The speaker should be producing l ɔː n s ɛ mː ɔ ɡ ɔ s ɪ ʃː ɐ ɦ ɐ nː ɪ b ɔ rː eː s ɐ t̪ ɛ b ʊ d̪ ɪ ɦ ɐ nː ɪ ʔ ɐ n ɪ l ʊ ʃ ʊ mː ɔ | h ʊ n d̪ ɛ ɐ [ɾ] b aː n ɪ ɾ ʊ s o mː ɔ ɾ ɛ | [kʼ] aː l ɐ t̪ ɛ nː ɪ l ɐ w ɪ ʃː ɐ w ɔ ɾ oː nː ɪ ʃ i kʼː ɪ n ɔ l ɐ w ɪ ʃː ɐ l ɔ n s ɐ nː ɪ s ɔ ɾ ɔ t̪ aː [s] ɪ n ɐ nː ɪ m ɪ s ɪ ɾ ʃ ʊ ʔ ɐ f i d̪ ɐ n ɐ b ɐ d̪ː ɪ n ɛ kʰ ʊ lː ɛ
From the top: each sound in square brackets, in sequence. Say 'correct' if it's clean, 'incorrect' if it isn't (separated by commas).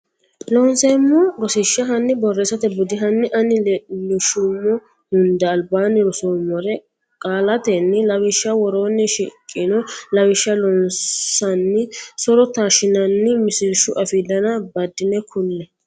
incorrect, correct, incorrect